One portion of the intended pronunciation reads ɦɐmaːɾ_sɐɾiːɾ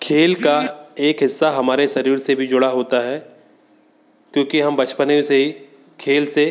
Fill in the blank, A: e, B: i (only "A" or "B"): A